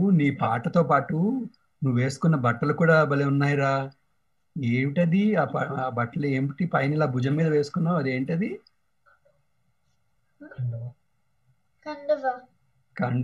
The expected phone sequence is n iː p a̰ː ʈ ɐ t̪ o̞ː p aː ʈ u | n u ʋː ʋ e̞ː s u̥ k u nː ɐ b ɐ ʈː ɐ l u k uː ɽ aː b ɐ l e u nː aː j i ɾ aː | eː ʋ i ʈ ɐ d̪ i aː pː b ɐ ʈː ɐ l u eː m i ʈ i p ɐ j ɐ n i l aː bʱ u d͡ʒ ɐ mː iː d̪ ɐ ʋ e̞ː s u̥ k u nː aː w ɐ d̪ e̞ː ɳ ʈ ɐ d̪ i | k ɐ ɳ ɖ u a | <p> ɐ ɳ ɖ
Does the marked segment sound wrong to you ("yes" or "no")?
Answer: yes